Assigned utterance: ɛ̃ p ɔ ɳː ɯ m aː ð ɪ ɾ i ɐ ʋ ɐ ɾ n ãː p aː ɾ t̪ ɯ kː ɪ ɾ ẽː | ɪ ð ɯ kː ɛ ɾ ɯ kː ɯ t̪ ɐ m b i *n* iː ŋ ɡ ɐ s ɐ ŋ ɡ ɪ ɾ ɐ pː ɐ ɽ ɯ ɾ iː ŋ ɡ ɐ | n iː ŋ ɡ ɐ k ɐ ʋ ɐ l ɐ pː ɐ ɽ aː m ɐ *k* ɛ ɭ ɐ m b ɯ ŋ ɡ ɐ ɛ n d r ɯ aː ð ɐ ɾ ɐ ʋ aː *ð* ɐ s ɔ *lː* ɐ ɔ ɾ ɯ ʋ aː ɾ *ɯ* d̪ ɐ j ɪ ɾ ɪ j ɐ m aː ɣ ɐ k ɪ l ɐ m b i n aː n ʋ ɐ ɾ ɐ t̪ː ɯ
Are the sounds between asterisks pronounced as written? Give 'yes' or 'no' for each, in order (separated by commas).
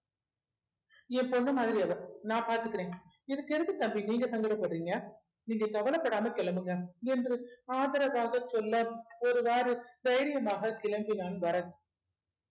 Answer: yes, yes, no, yes, yes